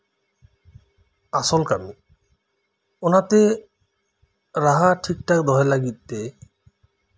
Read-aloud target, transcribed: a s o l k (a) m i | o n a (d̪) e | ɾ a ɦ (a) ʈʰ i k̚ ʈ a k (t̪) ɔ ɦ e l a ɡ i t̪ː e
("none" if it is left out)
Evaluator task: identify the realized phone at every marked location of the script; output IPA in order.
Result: a, t̪, a, d̪

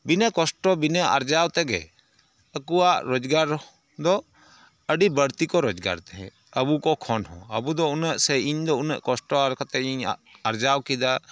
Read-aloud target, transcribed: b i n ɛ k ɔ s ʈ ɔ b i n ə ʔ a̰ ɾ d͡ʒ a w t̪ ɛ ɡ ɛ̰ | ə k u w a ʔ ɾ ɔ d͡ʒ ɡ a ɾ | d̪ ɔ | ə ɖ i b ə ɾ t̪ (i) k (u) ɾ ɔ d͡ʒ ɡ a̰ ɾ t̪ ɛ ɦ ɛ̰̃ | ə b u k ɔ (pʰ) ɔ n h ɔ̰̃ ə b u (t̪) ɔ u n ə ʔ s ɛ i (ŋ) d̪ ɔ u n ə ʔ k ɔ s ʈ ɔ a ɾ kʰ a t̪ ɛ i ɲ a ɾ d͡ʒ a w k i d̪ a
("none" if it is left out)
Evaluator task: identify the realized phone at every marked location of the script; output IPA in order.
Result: i, ɔ, kʰ, d̪, ɲ

